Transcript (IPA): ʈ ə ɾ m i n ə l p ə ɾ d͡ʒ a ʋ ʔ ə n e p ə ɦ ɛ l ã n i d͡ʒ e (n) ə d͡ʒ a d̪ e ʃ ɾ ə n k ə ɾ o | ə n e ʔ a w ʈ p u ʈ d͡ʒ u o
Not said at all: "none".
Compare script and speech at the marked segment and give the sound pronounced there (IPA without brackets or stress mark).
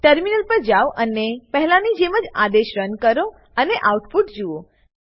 m